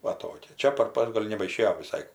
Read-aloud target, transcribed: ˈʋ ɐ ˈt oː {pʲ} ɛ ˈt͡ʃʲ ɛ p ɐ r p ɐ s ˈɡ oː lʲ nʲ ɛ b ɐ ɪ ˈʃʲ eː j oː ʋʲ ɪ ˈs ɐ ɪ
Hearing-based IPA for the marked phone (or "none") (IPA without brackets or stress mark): kʲ